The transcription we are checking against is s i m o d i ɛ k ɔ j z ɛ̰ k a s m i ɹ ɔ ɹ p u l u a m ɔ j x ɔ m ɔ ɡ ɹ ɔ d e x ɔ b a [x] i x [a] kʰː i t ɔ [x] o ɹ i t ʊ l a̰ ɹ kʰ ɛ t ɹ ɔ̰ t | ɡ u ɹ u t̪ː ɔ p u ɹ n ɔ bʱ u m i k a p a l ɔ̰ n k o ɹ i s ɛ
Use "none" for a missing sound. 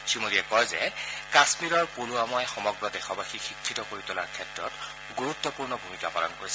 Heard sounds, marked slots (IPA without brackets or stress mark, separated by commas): x, i, k